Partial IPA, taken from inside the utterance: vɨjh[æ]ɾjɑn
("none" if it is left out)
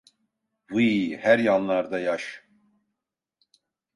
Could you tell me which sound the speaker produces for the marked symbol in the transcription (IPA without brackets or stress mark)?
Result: æ